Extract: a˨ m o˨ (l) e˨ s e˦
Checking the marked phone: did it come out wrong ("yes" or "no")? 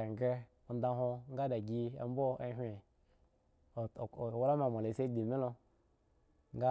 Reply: no